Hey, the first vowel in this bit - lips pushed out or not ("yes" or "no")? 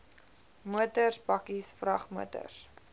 yes